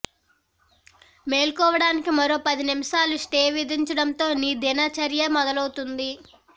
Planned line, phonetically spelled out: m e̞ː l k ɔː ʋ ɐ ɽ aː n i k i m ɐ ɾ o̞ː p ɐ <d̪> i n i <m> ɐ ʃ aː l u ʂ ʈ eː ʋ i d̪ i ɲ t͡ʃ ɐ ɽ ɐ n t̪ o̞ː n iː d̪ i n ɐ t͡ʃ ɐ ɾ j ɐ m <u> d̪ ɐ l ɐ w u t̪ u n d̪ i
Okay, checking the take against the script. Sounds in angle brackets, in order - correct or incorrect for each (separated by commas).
correct, correct, incorrect